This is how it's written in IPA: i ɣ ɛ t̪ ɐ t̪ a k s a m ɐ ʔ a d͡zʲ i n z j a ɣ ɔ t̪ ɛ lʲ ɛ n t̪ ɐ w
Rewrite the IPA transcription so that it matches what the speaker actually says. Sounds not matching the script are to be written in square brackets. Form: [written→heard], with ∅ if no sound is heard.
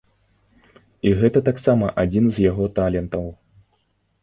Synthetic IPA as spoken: i ɣ ɛ t̪ ɐ t̪ a k s a m ɐ ʔ a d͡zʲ i n z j a ɣ ɔ t̪ [ɛ→a] lʲ ɛ n t̪ ɐ w